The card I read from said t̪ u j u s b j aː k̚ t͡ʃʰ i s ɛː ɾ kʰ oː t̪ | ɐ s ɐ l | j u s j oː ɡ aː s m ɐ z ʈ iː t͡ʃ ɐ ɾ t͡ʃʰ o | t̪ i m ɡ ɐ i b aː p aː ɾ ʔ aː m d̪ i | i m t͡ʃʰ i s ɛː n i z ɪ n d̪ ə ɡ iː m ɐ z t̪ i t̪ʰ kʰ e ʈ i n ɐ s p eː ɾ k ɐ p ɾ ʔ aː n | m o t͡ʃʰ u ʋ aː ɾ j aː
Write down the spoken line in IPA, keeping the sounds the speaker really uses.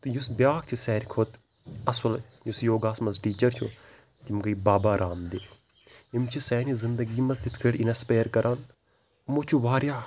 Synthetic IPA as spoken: t̪ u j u s b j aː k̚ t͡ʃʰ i s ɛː ɾ kʰ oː t̪ | ɐ s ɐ l | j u s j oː ɡ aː s m ɐ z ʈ iː t͡ʃ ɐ ɾ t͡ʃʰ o | t̪ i m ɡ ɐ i b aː b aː ɾ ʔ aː m d̪ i | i m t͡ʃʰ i s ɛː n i z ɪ n d̪ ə ɡ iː m ɐ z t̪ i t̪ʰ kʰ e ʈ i n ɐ s p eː ɾ k ɐ ɾ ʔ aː n | m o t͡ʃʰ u ʋ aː ɾ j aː